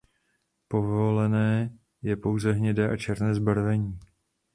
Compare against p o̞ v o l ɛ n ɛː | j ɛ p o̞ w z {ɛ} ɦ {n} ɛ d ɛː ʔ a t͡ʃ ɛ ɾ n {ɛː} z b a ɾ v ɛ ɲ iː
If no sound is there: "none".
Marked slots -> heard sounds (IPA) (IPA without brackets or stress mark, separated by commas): ɛ, ɲ, ɛː